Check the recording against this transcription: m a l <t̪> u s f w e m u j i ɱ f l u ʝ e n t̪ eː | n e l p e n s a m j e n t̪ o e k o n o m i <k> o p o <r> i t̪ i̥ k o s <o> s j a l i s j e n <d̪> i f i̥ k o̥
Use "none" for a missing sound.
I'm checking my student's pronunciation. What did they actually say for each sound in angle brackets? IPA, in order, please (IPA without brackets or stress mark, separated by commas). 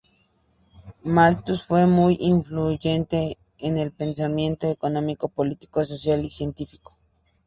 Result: t̪, k, l, o, t̪